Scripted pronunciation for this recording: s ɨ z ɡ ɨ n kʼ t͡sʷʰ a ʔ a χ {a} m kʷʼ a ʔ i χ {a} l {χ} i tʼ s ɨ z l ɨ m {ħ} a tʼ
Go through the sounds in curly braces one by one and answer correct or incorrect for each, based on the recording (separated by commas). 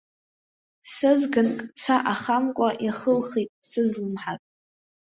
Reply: correct, incorrect, correct, correct